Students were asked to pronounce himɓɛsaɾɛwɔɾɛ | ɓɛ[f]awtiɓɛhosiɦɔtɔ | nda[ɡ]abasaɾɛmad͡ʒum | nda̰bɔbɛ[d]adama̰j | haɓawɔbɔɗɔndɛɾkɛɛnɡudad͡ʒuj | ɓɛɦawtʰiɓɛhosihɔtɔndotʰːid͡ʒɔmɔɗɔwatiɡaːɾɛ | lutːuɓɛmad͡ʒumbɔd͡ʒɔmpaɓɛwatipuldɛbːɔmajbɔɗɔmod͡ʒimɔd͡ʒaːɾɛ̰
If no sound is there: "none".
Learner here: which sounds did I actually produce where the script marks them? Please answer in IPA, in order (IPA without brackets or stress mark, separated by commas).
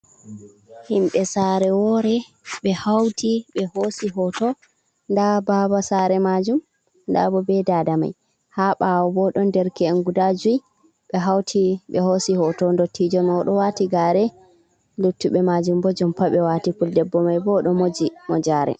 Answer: h, b, d